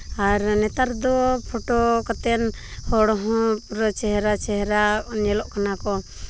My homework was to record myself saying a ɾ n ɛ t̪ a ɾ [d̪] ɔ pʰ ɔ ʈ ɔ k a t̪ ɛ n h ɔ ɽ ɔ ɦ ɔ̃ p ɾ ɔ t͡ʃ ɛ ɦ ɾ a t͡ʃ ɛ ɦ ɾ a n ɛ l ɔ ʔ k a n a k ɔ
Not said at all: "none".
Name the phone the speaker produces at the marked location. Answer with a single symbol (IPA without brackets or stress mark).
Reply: d̪